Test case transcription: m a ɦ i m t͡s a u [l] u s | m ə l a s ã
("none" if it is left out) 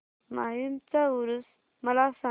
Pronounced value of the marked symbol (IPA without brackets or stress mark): ɾ